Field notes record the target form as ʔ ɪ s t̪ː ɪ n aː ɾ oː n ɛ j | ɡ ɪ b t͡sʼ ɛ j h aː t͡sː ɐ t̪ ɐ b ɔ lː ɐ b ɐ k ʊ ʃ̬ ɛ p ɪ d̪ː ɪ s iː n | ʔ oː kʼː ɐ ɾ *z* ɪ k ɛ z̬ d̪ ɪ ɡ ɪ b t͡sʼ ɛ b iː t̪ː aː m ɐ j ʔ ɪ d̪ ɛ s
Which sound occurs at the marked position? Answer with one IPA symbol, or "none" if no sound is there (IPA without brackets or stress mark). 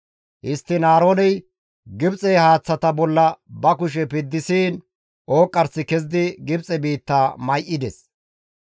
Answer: s